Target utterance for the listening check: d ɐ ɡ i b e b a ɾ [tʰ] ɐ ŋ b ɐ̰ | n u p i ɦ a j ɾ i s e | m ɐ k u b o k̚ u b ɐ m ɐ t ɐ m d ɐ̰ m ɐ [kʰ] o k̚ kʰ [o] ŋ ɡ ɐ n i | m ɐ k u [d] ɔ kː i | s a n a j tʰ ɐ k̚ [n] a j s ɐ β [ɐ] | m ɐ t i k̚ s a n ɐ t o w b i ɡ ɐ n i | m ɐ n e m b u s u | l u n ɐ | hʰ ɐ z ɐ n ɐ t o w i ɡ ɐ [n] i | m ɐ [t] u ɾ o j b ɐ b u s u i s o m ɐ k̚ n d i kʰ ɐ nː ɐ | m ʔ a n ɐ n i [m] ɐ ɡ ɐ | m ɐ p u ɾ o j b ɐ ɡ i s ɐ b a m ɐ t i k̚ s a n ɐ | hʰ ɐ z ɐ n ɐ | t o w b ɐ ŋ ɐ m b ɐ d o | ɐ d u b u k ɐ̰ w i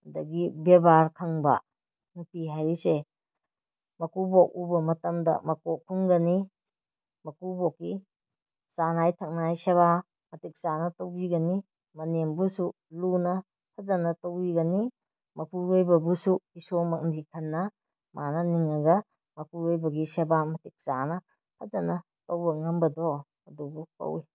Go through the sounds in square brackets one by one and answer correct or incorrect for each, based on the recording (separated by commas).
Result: incorrect, incorrect, incorrect, incorrect, correct, incorrect, correct, incorrect, incorrect